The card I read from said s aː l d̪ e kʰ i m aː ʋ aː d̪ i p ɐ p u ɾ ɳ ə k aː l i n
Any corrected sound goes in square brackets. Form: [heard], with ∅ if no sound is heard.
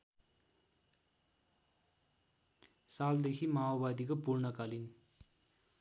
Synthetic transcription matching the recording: s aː l d̪ e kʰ i m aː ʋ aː d̪ i [k] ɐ p u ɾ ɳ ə k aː l i n